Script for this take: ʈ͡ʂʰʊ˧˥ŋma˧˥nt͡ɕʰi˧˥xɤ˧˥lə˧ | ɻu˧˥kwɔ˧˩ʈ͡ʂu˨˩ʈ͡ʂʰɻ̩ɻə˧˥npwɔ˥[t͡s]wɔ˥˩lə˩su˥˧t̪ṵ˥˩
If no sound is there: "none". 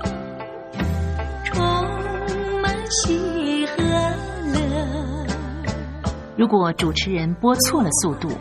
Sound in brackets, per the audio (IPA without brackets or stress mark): t͡sʰ